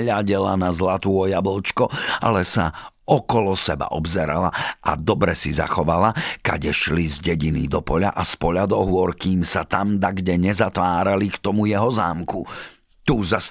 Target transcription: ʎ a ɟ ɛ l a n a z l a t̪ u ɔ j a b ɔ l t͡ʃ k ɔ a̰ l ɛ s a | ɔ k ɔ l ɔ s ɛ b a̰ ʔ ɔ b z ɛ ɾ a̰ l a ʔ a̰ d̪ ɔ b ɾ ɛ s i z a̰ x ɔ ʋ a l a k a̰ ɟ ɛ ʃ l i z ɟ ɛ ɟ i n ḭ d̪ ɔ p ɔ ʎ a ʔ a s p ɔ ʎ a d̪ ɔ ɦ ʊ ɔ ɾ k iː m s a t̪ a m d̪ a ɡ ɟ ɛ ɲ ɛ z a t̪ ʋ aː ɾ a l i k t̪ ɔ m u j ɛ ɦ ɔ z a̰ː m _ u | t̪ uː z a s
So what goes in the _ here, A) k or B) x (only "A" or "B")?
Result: A